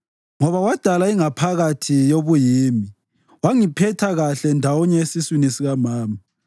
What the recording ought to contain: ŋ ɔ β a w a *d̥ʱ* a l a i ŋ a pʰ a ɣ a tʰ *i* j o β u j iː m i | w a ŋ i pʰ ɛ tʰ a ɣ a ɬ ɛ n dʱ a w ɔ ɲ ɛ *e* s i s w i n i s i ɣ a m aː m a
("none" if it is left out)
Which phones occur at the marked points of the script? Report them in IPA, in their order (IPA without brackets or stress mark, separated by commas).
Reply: d̥ʱ, i, e